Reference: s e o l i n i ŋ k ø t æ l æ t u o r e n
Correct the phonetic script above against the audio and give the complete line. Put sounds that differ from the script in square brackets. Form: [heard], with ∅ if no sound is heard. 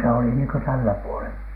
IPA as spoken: s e o l i n [iː] ŋ k ø t æ [lː] æ [p] u o [l] e n